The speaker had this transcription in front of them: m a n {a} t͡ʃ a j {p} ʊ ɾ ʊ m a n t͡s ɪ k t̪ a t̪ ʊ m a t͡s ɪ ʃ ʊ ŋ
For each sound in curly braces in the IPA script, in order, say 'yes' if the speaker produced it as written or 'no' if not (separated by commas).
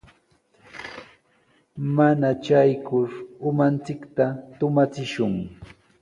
yes, no